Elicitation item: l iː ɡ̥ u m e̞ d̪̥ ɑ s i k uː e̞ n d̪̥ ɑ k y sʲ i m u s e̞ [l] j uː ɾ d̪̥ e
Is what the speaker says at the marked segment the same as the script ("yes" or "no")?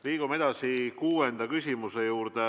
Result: no